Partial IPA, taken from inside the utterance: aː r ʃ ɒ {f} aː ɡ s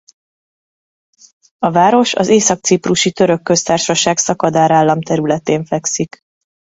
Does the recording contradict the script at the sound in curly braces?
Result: yes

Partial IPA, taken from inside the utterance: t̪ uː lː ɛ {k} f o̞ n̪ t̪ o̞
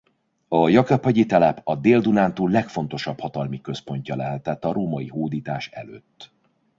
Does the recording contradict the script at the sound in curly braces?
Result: no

